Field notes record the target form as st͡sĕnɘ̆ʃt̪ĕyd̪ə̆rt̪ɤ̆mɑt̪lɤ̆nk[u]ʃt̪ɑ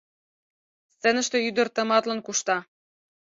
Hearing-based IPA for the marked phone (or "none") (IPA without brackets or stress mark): u